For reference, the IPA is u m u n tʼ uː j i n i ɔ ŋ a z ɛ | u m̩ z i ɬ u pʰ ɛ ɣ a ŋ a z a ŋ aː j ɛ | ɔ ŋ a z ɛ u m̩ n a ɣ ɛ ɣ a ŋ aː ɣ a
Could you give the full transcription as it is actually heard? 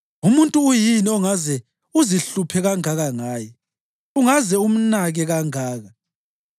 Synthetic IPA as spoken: u m u n tʼ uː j i n i ɔ ŋ a z ɛ | u z i ɬ u pʰ ɛ ɣ a ŋ a ɣ a ŋ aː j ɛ | u ŋ a z ɛ u m̩ n a ɣ ɛ ɣ a ŋ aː ɣ a